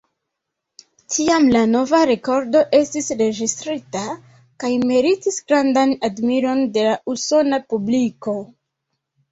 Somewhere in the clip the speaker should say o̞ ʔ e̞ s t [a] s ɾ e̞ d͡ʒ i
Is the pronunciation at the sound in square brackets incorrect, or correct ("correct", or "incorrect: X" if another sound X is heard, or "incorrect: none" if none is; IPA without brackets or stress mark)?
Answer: incorrect: i